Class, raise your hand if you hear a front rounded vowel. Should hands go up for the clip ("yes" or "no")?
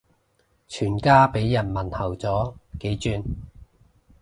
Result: yes